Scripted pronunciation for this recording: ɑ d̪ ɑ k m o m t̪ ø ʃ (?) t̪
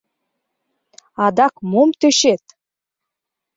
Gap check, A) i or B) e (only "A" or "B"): B